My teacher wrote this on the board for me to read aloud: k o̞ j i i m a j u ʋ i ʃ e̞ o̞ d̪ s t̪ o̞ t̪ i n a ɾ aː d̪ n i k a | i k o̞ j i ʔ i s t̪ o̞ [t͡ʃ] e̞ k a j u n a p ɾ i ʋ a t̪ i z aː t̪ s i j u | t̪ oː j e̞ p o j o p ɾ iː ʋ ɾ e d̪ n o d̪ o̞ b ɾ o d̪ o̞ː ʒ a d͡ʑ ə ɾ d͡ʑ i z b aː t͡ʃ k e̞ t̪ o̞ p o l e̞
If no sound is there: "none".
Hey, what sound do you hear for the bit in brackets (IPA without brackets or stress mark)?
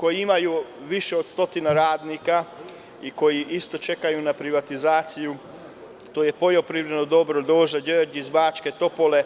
t͡ʃ